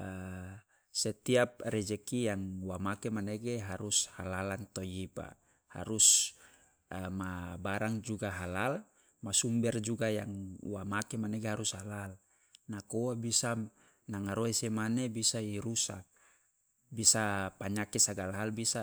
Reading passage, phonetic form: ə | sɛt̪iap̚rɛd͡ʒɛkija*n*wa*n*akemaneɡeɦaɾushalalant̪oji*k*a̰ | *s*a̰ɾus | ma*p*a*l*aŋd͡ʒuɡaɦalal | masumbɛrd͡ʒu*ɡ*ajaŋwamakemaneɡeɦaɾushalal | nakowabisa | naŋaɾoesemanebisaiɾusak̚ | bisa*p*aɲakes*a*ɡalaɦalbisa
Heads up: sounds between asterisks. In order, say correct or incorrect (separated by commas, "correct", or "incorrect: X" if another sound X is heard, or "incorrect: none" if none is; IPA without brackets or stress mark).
incorrect: ŋ, incorrect: m, incorrect: p, incorrect: h, incorrect: b, incorrect: ɾ, correct, correct, correct